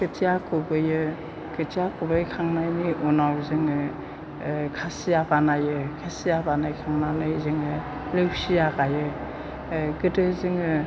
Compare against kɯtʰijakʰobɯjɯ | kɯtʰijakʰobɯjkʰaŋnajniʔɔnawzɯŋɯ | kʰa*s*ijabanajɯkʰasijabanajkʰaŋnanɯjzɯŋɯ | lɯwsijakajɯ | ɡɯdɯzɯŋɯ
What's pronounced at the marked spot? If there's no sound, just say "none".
s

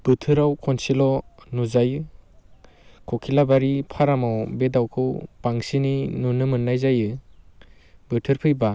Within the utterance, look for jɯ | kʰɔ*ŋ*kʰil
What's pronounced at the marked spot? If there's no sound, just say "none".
none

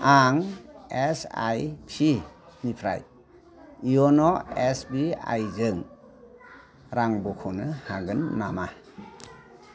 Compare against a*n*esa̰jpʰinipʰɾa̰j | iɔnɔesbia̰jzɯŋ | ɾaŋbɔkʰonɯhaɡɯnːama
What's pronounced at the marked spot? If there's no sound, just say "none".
ŋ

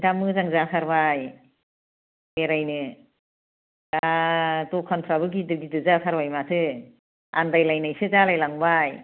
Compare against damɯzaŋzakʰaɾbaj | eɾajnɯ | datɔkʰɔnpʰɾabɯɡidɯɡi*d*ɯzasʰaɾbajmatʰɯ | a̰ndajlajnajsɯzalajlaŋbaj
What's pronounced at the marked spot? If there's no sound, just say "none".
d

